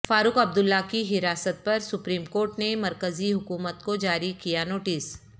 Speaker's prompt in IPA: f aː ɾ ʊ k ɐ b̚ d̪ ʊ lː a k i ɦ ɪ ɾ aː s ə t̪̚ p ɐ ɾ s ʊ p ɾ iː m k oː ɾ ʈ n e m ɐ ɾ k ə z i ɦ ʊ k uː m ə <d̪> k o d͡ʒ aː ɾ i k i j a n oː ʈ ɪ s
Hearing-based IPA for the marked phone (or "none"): t̪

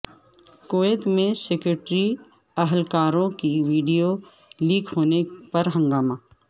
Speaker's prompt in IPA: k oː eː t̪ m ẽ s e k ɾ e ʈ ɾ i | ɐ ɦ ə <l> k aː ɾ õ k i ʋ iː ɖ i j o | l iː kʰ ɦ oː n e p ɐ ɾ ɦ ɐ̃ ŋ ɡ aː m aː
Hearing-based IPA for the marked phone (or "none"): l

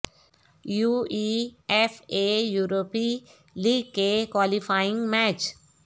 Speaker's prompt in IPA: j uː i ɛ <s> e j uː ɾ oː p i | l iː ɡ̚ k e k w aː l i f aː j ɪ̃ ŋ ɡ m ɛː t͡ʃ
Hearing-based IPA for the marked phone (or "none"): f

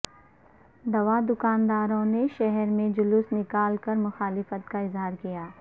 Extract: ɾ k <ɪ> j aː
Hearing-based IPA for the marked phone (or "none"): i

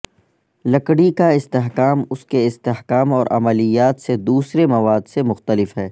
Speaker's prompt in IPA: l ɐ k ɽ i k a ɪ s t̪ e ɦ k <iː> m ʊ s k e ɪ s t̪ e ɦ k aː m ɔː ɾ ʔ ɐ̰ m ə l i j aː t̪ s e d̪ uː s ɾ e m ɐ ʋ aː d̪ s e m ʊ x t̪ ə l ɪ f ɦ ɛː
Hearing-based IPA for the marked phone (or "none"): aː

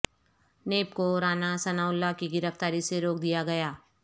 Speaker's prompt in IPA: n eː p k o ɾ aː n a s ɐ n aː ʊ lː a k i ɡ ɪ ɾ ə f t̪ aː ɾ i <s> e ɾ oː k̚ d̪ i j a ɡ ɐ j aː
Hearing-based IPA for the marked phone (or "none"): s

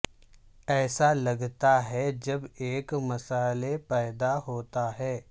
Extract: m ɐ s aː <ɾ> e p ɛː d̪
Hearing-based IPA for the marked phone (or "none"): l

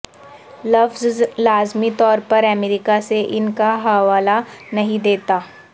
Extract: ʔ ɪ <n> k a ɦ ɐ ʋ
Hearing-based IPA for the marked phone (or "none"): n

